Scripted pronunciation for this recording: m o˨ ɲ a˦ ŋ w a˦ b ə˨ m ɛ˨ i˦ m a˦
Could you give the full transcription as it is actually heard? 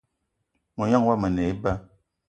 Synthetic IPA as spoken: m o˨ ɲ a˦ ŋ w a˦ m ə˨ n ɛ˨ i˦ b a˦